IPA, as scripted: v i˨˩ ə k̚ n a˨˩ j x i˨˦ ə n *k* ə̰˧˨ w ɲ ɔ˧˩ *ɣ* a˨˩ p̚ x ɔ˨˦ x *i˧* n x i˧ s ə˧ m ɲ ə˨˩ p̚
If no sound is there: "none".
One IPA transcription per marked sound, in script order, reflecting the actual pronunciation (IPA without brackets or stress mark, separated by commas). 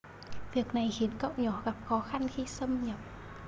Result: k, ɣ, a˧